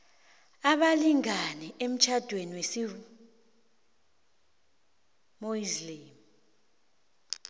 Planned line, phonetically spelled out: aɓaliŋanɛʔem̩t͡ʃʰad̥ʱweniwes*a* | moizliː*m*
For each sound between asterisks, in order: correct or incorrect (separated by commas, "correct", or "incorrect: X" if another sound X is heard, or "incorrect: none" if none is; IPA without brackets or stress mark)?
incorrect: i, correct